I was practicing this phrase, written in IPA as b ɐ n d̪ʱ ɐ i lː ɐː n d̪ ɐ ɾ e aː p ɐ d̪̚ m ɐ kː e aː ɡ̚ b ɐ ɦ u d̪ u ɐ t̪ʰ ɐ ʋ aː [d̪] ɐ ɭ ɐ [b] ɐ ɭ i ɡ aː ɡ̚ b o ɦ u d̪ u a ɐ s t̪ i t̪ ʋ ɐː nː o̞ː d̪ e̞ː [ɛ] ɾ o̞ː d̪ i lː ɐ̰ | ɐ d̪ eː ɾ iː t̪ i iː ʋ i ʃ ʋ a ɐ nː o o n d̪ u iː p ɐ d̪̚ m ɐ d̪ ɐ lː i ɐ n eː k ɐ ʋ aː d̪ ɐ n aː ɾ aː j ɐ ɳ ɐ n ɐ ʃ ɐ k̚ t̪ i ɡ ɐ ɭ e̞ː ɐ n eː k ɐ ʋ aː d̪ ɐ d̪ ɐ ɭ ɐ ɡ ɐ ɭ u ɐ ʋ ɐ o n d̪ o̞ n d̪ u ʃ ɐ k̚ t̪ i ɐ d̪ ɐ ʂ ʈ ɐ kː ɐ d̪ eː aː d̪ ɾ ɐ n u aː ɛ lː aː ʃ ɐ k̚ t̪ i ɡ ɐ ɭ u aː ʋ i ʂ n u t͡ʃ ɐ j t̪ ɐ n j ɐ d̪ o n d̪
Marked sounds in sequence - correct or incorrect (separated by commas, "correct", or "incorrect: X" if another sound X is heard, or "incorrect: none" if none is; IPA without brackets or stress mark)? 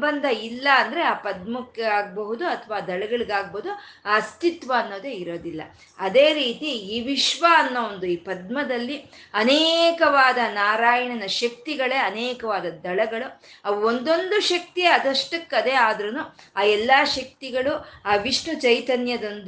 correct, incorrect: ɡ, incorrect: i